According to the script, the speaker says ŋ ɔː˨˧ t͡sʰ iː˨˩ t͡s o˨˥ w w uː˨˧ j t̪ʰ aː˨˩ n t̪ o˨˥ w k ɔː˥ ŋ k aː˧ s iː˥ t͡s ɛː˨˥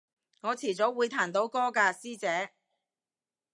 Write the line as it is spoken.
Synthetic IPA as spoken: ŋ ɔː˨˧ t͡sʰ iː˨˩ t͡s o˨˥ w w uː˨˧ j t̪ʰ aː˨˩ n t̪ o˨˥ w k ɔː˥ k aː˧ s iː˥ t͡s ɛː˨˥